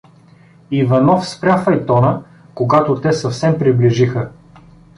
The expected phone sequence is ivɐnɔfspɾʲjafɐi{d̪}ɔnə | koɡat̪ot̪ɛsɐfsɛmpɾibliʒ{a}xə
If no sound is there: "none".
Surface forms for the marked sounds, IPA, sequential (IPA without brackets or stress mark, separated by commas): t̪, i